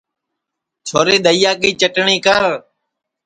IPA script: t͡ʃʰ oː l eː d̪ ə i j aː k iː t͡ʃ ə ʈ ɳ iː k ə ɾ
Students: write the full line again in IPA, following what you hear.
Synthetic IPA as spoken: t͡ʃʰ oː ɾ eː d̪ ə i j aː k iː t͡ʃ ə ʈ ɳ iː k ə ɾ